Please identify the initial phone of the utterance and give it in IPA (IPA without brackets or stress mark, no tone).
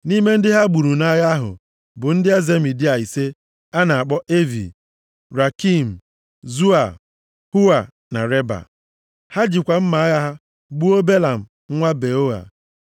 n